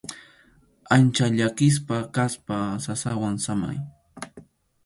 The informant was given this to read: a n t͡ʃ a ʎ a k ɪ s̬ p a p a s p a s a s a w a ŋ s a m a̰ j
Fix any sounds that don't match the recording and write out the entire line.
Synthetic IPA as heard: a n t͡ʃ a ʎ a k ɪ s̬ p a k a s p a s a s a w a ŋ s a m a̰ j